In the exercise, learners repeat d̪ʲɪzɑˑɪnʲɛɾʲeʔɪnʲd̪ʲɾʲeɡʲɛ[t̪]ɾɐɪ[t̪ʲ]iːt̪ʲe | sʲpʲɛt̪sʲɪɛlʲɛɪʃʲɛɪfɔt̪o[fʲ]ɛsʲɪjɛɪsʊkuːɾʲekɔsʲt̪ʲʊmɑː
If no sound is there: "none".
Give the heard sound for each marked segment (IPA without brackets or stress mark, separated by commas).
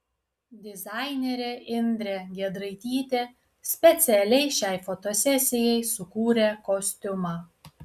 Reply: d̪, t̪ʲ, sʲ